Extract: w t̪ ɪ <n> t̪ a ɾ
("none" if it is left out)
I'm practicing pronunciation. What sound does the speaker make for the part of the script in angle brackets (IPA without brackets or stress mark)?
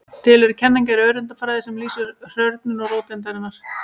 n